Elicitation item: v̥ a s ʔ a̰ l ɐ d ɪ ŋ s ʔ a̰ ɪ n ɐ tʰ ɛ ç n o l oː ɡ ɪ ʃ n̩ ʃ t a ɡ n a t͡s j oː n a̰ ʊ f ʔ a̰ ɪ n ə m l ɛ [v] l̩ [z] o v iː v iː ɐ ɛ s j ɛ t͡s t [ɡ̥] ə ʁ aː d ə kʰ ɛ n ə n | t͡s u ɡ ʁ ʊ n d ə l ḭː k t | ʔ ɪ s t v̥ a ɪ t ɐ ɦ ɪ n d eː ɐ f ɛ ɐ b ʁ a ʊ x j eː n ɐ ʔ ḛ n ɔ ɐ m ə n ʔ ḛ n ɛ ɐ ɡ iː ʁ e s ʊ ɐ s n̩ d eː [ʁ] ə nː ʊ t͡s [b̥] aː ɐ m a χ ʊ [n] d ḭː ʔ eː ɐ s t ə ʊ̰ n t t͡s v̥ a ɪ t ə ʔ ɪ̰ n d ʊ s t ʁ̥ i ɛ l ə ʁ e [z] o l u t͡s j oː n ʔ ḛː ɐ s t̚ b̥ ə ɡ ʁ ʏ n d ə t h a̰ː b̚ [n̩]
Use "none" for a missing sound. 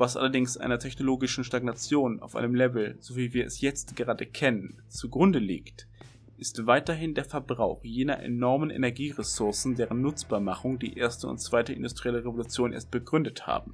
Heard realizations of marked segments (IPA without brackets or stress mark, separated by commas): v, z, ɡ̥, ʁ, b̥, ŋ, v, m̩